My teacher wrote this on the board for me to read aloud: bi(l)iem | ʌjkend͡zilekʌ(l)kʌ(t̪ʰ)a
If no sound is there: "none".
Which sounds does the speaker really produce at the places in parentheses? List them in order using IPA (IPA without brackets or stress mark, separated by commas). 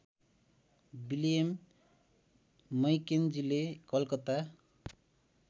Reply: l, l, t̪